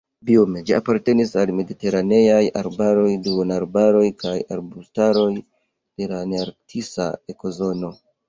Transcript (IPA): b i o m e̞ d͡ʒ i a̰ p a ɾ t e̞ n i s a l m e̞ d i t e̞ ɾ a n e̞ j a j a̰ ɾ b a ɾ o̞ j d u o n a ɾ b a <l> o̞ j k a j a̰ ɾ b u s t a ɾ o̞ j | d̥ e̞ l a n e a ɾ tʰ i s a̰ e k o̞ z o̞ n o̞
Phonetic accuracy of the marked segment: incorrect: ɾ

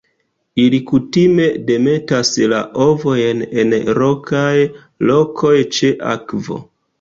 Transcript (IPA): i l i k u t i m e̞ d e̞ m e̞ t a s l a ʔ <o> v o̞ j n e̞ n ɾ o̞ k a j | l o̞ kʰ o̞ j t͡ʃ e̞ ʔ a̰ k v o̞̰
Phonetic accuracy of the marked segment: correct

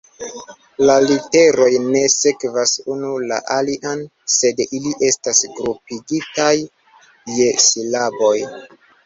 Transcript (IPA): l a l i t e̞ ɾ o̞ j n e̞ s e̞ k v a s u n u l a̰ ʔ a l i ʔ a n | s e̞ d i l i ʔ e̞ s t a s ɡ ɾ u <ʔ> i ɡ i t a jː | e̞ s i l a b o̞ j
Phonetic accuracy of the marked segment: incorrect: p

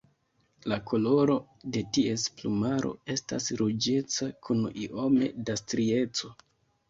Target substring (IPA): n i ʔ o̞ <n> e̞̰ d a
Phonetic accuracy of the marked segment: incorrect: m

